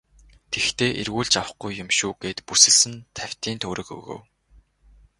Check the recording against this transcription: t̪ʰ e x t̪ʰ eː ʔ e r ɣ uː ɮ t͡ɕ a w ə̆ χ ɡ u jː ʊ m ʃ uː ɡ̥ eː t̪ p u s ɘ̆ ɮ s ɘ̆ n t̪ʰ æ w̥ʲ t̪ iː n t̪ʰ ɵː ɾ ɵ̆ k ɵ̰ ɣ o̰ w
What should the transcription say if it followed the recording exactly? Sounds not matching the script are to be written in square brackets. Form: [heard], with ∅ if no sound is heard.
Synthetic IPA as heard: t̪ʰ e x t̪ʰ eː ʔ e r ɣ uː ɮ t͡ɕ a w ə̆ χ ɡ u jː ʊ m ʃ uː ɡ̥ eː t̪ p u s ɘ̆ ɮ s ɘ̆ n t̪ʰ æ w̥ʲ t̪ iː n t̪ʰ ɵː ɾ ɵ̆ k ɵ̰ ɣ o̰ w